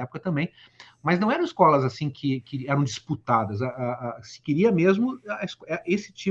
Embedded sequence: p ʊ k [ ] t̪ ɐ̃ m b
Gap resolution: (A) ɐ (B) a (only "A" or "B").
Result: A